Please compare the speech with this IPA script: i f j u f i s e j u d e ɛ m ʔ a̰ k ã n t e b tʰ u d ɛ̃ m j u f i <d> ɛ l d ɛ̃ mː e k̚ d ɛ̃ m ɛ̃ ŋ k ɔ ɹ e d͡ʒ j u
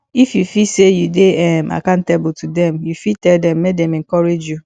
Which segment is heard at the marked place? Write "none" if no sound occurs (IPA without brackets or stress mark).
t